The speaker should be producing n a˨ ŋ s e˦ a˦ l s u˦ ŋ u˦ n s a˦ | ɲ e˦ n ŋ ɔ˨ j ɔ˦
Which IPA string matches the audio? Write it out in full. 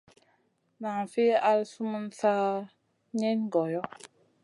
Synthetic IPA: n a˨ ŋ f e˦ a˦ l s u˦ m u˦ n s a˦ | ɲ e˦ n ɡ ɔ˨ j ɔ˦